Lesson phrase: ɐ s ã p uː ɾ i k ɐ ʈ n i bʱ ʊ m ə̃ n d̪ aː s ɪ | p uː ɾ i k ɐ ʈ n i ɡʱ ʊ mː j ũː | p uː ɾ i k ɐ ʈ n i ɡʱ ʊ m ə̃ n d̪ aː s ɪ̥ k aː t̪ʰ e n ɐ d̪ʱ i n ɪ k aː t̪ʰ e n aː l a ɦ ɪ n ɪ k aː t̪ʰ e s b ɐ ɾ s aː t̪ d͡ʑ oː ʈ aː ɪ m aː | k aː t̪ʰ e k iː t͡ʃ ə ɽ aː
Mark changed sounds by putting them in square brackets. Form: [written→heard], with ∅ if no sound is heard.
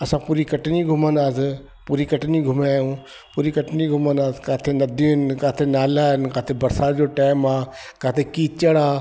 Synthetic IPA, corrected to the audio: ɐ s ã p uː ɾ i k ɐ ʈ n i [bʱ→ɡʱ] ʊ m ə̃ n d̪ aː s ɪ | p uː ɾ i k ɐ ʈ n i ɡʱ ʊ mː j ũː | p uː ɾ i k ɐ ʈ n i ɡʱ ʊ m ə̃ n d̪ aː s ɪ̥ k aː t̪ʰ e n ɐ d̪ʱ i n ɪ k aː t̪ʰ e n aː l a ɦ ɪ n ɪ k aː t̪ʰ e [s→∅] b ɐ ɾ s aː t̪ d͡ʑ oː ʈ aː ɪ m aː | k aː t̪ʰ e k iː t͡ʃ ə ɽ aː